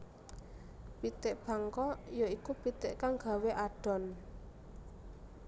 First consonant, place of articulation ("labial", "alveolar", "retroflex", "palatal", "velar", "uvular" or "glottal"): labial